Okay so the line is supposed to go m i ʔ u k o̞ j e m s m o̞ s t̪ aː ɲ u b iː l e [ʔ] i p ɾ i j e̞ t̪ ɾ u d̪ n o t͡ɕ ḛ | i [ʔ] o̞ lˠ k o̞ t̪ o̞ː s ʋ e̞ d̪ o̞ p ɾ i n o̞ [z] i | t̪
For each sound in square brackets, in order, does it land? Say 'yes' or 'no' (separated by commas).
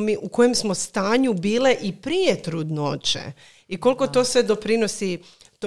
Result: yes, no, no